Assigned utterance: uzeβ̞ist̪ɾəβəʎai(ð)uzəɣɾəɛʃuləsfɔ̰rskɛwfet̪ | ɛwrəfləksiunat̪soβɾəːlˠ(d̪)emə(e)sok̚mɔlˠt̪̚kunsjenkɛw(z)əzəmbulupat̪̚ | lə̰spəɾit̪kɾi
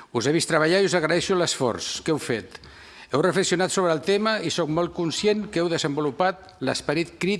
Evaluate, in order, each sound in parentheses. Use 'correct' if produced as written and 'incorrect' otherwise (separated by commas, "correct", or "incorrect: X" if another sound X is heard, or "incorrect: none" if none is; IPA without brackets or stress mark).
incorrect: none, incorrect: t̪, incorrect: i, incorrect: ð